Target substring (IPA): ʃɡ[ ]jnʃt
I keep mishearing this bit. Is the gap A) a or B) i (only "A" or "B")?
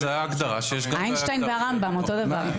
A